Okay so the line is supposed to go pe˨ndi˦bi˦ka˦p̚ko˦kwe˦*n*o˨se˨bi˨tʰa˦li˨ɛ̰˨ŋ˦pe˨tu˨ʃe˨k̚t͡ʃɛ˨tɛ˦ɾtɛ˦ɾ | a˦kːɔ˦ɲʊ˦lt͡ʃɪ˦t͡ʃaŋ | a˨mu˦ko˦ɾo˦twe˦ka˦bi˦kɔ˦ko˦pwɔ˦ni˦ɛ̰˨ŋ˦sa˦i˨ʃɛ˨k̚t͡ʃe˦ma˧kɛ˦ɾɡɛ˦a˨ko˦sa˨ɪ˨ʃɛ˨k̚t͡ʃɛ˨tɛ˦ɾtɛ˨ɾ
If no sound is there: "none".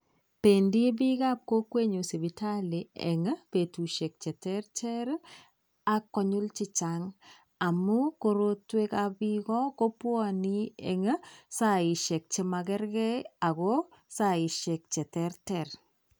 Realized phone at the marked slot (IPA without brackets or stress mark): ɲ